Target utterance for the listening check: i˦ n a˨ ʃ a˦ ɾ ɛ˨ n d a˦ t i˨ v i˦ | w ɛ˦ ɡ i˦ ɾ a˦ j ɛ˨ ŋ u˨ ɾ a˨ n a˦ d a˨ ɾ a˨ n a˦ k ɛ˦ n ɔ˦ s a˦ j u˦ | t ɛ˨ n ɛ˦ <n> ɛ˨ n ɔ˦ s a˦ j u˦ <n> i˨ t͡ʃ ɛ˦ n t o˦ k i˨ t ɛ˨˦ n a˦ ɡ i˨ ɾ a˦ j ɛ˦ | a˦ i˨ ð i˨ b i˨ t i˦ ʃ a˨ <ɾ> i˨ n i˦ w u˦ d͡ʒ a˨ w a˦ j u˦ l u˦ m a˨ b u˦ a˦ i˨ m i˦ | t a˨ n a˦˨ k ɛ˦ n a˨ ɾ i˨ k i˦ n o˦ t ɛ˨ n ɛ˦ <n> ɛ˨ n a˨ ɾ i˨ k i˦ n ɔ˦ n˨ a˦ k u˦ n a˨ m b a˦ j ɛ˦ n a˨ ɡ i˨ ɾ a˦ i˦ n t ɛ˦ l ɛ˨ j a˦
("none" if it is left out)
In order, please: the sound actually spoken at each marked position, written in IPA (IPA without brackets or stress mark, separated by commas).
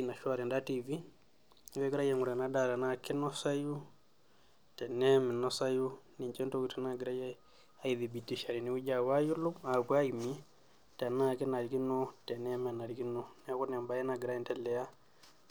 m, n, ɾ, m